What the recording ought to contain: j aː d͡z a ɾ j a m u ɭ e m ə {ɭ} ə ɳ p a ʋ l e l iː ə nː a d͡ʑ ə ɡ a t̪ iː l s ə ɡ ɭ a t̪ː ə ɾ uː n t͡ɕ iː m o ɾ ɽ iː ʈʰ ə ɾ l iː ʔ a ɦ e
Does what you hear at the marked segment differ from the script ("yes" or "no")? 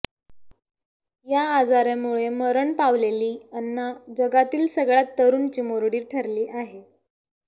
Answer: yes